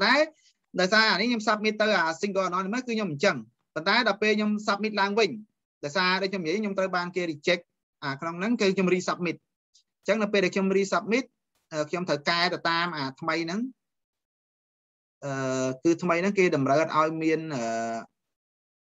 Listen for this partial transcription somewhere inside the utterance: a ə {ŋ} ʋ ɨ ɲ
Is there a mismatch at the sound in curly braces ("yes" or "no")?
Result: no